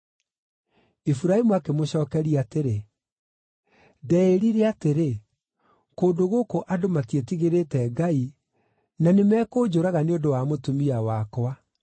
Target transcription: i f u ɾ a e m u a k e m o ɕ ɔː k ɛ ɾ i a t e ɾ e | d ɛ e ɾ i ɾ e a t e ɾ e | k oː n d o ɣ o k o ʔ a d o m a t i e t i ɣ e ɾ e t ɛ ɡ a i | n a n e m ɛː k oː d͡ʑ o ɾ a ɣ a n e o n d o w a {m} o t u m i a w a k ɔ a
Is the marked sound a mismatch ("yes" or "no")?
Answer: no